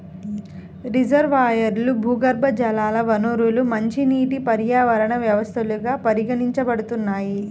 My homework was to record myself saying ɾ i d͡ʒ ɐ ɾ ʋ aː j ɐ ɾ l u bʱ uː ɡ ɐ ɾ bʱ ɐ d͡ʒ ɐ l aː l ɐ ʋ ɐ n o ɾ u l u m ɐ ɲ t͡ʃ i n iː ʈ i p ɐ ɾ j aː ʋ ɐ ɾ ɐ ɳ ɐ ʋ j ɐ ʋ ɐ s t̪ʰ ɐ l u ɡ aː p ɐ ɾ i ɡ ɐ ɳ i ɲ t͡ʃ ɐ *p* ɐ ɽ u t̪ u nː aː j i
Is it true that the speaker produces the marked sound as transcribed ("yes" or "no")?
no